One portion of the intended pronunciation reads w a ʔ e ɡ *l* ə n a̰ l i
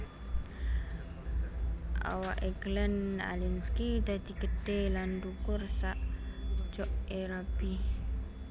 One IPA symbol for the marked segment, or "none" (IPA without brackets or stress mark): l